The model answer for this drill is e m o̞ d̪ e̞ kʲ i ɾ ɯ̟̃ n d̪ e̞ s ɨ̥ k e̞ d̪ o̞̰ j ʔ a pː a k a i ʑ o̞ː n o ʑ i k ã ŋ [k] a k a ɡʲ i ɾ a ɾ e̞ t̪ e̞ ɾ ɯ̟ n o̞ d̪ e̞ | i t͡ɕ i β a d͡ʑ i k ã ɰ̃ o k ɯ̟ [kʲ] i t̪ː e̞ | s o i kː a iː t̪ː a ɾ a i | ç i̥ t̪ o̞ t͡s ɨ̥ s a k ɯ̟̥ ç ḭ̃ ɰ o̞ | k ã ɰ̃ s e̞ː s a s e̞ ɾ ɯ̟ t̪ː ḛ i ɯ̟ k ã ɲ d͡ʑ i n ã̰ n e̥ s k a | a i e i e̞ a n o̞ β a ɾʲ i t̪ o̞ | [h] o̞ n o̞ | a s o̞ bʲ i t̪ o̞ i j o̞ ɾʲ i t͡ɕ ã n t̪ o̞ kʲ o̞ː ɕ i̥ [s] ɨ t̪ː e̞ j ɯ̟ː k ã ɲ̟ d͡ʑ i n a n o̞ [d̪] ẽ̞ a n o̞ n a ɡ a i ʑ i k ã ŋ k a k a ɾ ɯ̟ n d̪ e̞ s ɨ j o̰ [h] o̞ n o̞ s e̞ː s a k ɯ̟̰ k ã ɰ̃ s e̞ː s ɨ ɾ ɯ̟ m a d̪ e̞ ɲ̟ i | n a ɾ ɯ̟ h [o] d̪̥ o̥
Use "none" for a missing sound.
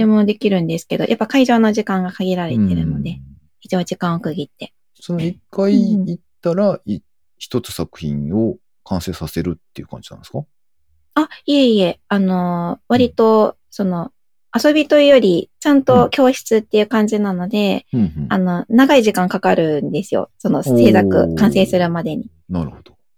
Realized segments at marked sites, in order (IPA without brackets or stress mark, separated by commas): ɡ, ɡʲ, s, t͡s, d̪, s, o